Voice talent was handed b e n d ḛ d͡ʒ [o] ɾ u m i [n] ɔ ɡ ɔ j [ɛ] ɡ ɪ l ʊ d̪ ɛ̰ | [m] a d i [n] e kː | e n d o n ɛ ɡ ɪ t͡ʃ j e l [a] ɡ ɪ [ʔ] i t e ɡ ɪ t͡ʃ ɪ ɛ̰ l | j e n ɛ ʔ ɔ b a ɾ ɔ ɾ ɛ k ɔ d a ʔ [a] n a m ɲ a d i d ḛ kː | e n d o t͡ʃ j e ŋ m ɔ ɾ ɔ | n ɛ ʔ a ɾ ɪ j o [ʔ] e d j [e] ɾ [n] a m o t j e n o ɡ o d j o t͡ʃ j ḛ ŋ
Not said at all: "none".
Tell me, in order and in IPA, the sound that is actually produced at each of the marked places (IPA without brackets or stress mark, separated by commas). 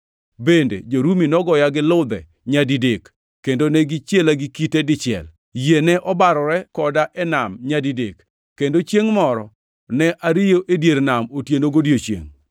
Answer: o, n, a, ɲ, d, a, k, ɛ, ʔ, e, n